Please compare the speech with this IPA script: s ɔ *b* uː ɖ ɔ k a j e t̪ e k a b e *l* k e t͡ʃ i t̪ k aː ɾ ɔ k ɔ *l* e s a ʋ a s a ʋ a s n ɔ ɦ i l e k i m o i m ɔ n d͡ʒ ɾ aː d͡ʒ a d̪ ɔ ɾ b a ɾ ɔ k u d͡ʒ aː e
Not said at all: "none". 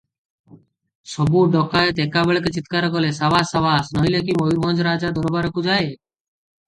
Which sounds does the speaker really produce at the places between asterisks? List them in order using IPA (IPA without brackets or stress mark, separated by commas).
b, ɭ, l